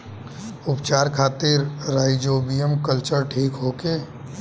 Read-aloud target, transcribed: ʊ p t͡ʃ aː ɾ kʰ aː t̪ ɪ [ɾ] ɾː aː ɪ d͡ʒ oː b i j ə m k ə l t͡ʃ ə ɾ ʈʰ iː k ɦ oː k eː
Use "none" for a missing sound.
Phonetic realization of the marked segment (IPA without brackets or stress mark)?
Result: ɾ